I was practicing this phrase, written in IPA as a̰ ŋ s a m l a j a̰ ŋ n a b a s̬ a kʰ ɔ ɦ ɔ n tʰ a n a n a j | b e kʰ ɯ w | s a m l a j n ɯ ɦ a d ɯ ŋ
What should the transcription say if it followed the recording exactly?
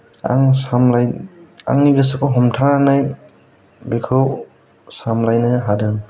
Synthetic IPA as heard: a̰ ŋ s a m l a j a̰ ŋ n i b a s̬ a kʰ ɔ ɦ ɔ m tʰ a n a n a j | b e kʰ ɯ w | s a m l a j n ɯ ɦ a d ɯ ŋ